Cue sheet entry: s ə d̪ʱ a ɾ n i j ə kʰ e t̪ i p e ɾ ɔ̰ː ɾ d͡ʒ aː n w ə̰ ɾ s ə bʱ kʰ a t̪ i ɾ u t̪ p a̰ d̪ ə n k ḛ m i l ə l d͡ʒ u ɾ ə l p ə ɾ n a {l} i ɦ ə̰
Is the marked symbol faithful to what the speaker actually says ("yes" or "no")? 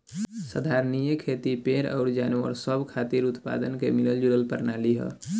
yes